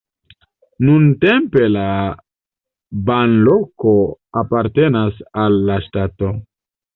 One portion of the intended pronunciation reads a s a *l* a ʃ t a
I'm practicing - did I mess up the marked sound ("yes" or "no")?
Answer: yes